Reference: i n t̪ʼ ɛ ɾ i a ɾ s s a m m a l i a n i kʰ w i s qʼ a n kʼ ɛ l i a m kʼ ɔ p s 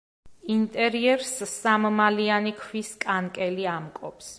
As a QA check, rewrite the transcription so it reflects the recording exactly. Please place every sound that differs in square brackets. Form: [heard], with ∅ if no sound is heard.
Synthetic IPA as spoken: i n t̪ʼ ɛ ɾ i [ɛ] ɾ s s a m m a l i a n i kʰ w i s [kʼ] a n kʼ ɛ l i a m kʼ ɔ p s